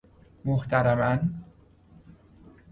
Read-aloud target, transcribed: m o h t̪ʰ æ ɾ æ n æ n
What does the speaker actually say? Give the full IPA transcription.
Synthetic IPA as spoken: m o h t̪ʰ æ ɾ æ m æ n